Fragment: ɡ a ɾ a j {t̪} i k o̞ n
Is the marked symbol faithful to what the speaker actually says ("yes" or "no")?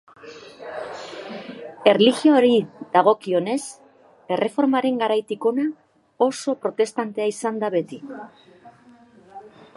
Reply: yes